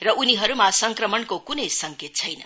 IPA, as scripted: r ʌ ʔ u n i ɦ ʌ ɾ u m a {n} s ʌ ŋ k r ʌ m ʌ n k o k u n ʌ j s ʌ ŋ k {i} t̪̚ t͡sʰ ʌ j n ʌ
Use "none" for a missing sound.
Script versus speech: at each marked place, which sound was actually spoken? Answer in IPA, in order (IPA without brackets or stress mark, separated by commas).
none, e